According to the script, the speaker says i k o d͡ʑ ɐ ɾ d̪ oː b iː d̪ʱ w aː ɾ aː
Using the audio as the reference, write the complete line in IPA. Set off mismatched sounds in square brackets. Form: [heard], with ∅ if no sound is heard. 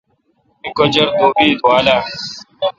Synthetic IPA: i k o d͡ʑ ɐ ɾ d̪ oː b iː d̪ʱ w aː [l] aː